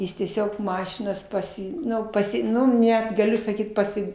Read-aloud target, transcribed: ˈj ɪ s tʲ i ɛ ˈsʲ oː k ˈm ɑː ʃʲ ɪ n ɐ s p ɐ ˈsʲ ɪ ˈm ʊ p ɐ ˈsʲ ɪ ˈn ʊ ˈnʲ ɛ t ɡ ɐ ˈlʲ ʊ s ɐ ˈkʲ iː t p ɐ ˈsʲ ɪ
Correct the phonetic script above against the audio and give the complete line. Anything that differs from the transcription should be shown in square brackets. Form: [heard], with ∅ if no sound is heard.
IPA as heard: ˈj ɪ s tʲ i ɛ ˈsʲ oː k ˈm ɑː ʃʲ ɪ n ɐ s p ɐ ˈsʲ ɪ [ˈn] ʊ p ɐ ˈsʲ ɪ ˈn ʊ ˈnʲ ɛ t ɡ ɐ ˈlʲ ʊ s ɐ ˈkʲ iː t p ɐ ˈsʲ ɪ

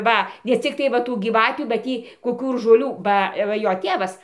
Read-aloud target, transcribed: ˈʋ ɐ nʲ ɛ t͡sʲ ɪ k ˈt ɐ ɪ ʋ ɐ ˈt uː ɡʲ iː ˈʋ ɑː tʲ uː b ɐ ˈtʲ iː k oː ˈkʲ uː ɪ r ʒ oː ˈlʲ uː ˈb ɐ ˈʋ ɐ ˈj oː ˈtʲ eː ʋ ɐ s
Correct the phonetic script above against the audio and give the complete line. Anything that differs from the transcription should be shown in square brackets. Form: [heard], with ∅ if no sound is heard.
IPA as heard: ˈʋ ɐ nʲ ɛ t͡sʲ ɪ k ˈt ɐ ɪ ʋ ɐ ˈt uː ɡʲ iː ˈʋ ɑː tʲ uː b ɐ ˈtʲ iː k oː ˈkʲ uː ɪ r ʒ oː ˈlʲ uː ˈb ɐ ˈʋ ɐ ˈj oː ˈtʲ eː ʋ ɐ s

